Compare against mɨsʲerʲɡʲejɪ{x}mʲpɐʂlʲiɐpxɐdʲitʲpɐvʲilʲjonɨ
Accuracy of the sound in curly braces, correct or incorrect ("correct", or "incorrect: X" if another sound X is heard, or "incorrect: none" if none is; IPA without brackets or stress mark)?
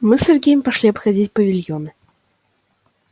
incorrect: none